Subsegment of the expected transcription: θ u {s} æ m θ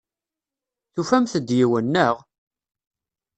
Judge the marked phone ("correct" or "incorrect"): incorrect